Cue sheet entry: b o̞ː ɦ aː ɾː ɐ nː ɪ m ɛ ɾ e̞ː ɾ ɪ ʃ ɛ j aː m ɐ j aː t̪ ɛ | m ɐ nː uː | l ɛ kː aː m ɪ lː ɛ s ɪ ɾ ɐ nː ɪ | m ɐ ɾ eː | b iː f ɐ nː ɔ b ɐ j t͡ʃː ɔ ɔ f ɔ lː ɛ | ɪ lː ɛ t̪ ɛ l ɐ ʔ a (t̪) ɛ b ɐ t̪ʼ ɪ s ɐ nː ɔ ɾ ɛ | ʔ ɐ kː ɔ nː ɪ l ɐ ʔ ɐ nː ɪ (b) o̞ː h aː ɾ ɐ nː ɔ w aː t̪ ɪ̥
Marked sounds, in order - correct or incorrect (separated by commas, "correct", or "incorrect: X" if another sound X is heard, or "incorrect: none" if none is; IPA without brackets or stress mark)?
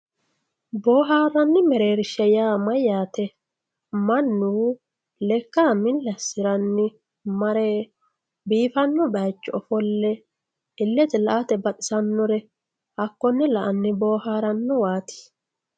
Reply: correct, correct